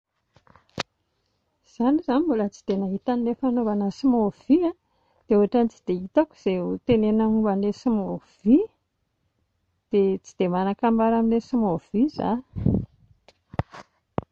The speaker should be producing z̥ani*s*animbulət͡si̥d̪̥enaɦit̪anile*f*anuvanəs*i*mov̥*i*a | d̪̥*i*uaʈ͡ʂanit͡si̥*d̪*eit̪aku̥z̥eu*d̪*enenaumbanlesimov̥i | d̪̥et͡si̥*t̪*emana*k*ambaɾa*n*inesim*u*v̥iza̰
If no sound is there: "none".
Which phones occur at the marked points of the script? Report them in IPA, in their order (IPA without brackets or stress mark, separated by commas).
z, f, i, i, e, d̪, t̪, d̪, k, m, o